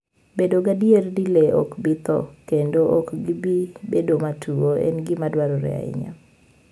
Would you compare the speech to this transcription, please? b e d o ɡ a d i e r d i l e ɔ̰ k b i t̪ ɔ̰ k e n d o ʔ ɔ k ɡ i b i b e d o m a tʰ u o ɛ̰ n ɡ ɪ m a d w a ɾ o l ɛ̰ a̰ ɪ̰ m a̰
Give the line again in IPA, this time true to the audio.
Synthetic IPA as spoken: b e d o ɡ a d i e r d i l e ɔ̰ k b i t̪ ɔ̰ k e n d o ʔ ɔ k ɡ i b i b e d o m a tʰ u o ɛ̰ n ɡ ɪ m a d w a ɾ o ɾ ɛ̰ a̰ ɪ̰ ɲ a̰